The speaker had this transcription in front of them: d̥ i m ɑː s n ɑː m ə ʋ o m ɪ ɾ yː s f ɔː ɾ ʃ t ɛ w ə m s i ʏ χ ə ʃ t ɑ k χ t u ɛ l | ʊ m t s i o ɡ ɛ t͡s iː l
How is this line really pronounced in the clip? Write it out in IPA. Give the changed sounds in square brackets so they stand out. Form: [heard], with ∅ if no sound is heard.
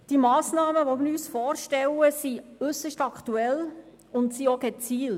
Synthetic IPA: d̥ i m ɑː s n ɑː m ə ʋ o m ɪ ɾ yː s f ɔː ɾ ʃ t ɛ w ə [∅] s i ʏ [s] ə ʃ t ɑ k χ t u ɛ l | ʊ [n] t s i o ɡ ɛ t͡s iː l